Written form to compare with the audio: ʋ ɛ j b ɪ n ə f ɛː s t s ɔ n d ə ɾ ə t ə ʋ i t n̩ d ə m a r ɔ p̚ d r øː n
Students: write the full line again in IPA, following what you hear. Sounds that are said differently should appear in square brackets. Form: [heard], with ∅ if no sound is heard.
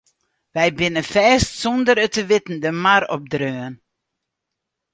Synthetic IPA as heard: ʋ ɛ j b ɪ n ə f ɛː s t s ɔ n d ə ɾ ə t ə ʋ [ɪ] t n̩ d ə m a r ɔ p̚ d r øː n